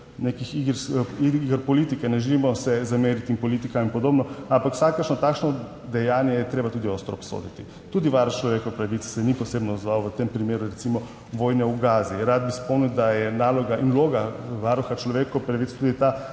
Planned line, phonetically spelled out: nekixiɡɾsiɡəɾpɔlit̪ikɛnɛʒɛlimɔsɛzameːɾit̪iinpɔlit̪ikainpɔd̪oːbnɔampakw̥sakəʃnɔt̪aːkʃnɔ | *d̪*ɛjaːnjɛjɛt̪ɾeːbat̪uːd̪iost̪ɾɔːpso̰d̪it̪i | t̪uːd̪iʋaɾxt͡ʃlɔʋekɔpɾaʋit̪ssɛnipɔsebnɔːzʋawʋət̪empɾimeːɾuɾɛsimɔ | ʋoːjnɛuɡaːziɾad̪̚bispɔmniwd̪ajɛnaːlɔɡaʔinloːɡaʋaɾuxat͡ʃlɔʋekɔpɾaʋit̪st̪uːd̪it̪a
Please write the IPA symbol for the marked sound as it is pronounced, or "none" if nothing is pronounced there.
d̪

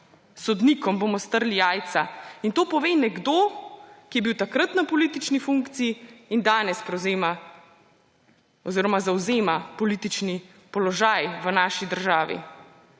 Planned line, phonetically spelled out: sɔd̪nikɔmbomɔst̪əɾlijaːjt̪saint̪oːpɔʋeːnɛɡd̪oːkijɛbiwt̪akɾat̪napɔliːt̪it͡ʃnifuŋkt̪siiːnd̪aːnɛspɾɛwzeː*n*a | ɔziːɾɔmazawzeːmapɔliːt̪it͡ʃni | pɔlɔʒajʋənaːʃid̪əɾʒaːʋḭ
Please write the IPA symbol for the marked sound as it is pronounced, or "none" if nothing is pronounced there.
m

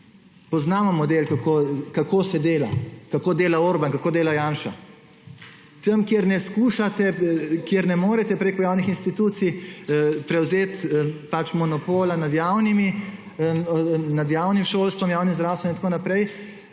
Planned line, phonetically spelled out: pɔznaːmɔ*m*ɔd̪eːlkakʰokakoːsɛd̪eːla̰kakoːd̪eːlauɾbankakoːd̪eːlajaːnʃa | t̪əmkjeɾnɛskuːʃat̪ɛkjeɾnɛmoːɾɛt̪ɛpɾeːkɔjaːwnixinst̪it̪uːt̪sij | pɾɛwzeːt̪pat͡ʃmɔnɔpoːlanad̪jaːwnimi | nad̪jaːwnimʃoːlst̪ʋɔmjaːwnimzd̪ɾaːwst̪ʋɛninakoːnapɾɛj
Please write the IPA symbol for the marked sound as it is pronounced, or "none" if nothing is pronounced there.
m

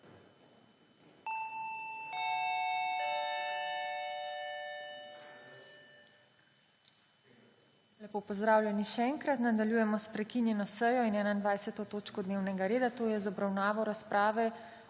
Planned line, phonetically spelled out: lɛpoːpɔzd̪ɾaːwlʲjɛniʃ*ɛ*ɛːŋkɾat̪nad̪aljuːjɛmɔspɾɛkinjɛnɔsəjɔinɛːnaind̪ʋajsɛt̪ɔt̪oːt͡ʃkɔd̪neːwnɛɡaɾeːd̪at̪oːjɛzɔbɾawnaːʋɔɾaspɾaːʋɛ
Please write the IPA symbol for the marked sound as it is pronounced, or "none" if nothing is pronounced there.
ɛ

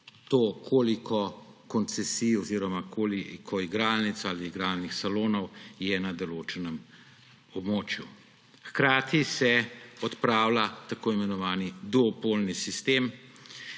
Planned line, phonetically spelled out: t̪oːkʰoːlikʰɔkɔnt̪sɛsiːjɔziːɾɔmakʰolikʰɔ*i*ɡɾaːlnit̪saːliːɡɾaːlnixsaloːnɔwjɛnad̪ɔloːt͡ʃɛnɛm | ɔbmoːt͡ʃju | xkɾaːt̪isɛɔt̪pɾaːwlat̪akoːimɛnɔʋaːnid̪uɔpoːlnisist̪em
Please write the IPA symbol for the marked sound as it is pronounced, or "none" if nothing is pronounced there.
i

